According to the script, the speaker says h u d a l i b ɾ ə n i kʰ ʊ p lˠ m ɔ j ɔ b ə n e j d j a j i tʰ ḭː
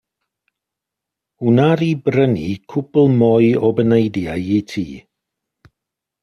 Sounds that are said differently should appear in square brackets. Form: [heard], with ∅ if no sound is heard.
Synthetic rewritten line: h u [n] a [ɾ] i b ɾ ə n i kʰ ʊ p lˠ m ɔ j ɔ b ə n e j d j a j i tʰ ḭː